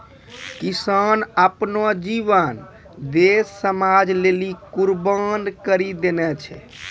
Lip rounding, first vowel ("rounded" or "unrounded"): unrounded